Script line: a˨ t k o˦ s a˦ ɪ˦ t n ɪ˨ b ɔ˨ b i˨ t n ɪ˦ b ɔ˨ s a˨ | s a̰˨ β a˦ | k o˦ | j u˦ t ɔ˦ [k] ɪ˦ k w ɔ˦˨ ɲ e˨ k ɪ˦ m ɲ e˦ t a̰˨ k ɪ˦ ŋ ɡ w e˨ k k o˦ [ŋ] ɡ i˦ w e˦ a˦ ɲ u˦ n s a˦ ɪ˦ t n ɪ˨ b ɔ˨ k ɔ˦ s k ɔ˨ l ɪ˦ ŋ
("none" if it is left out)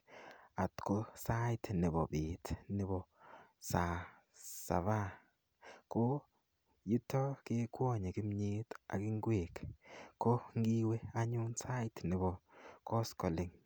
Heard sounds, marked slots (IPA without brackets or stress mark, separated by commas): k, ŋ